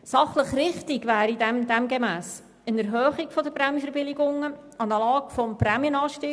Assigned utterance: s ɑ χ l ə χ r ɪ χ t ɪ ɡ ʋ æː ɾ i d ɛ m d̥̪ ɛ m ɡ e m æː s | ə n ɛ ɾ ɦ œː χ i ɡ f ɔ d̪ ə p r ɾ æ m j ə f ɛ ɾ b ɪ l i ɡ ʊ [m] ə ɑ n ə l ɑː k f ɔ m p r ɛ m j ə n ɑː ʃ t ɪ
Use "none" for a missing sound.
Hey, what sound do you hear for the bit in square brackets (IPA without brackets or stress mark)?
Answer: ŋ